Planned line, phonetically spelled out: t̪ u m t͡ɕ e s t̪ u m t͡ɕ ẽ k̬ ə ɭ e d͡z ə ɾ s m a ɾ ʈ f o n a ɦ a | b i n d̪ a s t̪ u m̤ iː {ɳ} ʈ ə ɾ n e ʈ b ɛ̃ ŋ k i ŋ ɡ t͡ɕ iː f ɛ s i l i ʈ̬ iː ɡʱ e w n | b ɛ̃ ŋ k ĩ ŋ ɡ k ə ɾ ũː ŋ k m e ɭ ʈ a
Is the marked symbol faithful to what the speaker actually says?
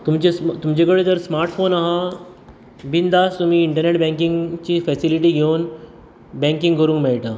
yes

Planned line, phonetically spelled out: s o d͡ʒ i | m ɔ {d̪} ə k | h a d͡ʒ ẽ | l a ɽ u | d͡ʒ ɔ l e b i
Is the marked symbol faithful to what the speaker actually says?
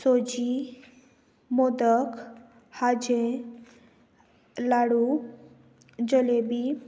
yes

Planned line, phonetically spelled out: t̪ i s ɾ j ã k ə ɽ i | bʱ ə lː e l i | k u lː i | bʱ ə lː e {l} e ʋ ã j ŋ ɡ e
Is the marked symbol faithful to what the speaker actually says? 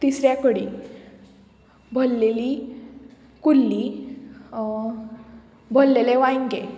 yes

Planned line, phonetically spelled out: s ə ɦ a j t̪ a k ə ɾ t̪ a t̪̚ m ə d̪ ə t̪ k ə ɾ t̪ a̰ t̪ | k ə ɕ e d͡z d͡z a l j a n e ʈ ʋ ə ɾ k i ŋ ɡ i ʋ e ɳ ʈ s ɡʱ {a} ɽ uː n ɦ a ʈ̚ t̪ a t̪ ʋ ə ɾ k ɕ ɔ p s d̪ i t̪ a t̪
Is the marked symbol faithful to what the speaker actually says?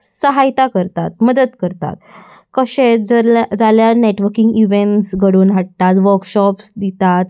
no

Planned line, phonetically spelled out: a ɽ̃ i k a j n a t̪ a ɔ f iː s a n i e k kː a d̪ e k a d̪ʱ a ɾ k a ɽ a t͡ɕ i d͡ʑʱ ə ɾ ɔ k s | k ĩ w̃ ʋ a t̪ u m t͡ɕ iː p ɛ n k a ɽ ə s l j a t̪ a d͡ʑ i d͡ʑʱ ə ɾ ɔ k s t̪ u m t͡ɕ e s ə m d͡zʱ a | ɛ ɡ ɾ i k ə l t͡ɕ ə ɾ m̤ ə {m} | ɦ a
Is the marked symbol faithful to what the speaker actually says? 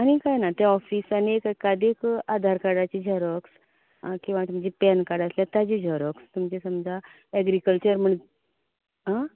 no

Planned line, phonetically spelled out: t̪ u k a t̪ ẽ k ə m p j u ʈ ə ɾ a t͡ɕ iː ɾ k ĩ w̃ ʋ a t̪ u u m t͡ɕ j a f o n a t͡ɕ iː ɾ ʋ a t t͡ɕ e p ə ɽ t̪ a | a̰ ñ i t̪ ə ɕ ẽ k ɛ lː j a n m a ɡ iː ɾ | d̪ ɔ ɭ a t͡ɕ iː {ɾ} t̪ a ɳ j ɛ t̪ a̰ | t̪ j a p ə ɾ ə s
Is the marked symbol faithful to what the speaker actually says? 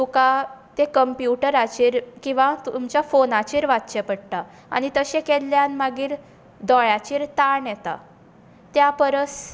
yes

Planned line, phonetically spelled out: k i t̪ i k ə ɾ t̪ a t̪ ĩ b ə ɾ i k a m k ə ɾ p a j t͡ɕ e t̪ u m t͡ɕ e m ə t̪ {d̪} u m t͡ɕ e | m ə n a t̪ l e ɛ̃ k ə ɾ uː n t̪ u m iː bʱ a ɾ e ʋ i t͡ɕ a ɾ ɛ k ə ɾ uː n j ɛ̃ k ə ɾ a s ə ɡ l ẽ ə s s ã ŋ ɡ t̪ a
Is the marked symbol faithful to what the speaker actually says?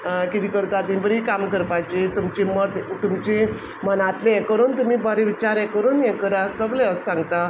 no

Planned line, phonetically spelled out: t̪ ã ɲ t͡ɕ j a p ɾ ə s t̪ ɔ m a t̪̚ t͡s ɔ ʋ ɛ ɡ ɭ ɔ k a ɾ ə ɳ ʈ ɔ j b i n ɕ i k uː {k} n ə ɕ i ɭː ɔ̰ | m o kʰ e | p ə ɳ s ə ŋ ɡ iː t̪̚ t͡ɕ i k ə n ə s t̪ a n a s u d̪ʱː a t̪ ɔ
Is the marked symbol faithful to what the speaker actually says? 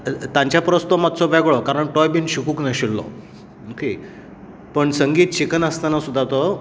yes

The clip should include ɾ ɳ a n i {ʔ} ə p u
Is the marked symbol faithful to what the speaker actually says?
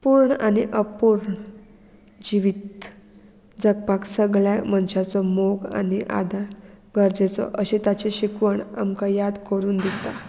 yes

